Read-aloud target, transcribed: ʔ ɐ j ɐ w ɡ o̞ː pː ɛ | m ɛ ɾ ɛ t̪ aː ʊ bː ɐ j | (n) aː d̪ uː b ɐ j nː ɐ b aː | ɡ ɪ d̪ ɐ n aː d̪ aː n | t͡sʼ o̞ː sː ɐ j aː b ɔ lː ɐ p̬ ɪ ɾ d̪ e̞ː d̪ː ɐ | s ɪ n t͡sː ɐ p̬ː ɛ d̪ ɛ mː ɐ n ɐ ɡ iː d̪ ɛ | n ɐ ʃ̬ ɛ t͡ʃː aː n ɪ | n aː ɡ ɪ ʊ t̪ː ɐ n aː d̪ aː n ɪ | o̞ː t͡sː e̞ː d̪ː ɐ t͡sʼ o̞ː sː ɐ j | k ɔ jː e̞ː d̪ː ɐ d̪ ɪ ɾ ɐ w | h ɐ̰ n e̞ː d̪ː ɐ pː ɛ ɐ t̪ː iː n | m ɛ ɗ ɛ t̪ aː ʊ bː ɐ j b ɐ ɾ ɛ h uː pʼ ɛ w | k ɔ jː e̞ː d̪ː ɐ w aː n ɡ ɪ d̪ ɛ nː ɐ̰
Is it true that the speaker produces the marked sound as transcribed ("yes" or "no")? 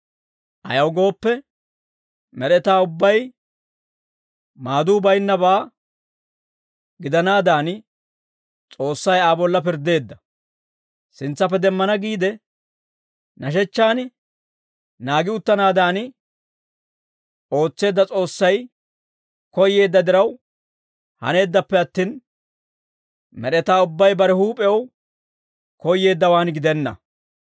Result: no